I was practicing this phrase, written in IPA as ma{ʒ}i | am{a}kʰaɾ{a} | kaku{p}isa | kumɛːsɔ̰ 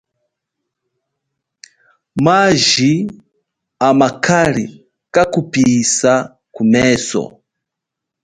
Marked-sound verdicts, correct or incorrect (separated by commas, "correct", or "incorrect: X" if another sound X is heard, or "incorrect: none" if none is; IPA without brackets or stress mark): correct, correct, incorrect: i, correct